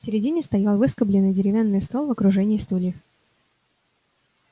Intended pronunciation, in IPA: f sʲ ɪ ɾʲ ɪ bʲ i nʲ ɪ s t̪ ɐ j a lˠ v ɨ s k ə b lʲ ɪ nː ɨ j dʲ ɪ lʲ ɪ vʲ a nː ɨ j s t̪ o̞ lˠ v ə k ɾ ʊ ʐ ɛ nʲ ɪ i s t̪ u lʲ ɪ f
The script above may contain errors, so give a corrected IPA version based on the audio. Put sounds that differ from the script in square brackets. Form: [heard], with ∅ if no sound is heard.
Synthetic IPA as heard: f sʲ ɪ ɾʲ ɪ [dʲ] i nʲ ɪ s t̪ ɐ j a lˠ v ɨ s k ə b lʲ ɪ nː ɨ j dʲ ɪ [ɾʲ] ɪ vʲ a nː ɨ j s t̪ o̞ lˠ v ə k ɾ ʊ ʐ ɛ nʲ ɪ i s t̪ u lʲ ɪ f